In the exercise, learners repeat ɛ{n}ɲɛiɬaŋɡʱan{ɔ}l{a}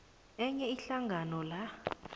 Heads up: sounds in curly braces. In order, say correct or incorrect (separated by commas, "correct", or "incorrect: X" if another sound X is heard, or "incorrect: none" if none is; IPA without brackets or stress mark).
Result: incorrect: none, correct, correct